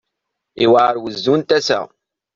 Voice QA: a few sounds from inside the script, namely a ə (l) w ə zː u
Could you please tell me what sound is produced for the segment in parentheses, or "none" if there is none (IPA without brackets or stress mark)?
ɾ